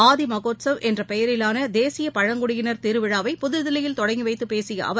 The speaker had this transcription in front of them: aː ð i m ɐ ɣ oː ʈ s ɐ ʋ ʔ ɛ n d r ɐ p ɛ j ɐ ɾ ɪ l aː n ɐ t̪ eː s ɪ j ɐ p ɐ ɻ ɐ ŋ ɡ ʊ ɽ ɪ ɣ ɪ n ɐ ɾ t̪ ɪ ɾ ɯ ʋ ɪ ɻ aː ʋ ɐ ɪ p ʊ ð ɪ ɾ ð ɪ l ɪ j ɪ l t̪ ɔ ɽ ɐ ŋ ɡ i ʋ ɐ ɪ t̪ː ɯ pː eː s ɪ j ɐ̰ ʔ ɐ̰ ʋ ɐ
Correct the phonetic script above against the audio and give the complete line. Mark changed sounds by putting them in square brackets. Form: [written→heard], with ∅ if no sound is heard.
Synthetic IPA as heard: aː ð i m ɐ ɣ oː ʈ s ɐ ʋ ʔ ɛ n d r ɐ p ɛ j ɐ ɾ ɪ l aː n ɐ [t̪→d̪] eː s ɪ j ɐ p ɐ ɻ ɐ ŋ ɡ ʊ ɽ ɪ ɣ ɪ n ɐ ɾ t̪ ɪ ɾ ɯ ʋ ɪ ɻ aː ʋ ɐ ɪ p ʊ ð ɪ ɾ ð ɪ l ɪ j ɪ l t̪ ɔ ɽ ɐ ŋ ɡ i ʋ ɐ ɪ t̪ː ɯ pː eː s ɪ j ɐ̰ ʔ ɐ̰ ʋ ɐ